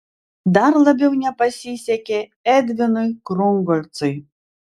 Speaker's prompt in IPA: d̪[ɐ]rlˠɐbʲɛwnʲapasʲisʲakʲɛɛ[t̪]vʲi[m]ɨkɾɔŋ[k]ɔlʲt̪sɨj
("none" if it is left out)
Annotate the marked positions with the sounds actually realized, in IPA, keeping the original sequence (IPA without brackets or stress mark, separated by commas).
a, d̪, n, ɡ